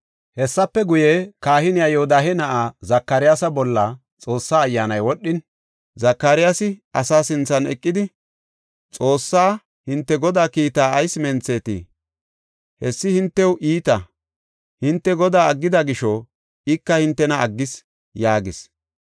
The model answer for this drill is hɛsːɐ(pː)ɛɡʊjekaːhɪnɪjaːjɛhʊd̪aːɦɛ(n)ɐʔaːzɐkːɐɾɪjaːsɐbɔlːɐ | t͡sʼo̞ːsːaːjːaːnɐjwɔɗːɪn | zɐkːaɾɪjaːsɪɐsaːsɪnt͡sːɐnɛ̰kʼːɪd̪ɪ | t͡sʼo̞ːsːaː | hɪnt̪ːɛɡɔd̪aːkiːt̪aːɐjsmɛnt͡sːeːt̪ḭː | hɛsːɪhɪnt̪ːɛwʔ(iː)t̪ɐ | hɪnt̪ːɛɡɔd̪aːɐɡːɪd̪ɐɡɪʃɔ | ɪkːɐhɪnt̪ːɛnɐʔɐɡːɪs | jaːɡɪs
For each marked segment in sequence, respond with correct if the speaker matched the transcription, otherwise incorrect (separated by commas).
correct, correct, correct